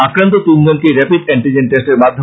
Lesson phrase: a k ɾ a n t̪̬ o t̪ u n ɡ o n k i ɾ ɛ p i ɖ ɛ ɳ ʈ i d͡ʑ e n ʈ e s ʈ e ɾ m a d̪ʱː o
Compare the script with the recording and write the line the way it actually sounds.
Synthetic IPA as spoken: a k ɾ a n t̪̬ o t̪ u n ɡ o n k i ɾ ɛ p i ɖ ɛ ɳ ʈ i d͡ʑ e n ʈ e s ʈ e ɾ m a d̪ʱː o